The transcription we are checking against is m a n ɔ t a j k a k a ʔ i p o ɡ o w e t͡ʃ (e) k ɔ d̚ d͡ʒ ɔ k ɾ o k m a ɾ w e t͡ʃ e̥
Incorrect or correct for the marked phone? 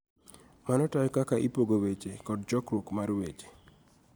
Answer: correct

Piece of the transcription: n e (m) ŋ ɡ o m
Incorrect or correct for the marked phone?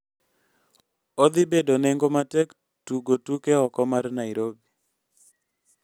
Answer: incorrect: none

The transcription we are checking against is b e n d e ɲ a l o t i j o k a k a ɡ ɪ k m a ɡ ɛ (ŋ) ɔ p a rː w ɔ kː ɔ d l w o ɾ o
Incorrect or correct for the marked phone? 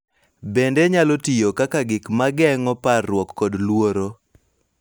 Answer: correct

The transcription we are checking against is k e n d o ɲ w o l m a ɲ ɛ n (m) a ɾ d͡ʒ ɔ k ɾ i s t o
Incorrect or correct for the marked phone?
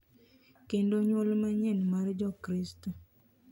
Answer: correct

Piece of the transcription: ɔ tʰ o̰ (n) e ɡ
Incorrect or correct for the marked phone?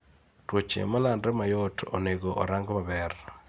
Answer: correct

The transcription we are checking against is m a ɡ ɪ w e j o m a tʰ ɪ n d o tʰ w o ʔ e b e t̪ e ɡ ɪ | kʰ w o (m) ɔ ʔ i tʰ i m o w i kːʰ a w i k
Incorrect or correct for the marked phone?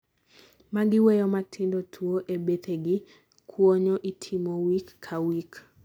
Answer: incorrect: ɲ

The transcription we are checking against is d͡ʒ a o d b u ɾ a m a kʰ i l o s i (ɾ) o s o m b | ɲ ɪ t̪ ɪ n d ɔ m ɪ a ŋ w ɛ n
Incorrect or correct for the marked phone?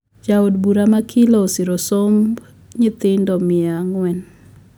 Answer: correct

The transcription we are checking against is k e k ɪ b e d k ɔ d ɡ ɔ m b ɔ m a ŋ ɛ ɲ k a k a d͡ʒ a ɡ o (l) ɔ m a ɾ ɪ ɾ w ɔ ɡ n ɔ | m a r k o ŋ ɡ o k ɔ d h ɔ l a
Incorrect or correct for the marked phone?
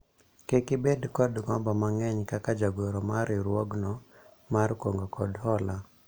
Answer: incorrect: ɾ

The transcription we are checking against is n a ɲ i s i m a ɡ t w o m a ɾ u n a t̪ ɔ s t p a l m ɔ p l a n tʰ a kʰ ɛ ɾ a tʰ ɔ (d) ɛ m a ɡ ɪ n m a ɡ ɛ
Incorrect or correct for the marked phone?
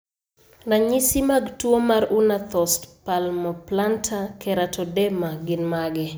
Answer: correct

